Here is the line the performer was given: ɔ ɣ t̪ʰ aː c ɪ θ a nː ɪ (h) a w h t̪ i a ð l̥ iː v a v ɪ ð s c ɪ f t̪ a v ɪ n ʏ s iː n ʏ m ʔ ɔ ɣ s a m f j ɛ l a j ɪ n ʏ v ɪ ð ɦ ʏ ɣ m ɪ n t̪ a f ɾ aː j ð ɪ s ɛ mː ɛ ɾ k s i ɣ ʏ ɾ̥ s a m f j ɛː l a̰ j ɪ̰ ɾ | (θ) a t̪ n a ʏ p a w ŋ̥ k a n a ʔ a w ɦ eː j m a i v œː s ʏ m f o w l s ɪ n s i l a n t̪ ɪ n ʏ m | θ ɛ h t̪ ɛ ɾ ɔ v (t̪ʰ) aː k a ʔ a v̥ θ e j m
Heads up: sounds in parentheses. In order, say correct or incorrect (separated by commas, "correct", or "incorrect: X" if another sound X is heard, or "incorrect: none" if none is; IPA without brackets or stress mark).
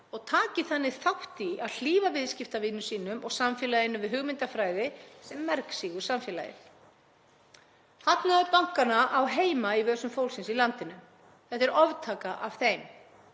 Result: incorrect: θ, incorrect: h, correct